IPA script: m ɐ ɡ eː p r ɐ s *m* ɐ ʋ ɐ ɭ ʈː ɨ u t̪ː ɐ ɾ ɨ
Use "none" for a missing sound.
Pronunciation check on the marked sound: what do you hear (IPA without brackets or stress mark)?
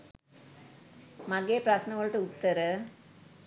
n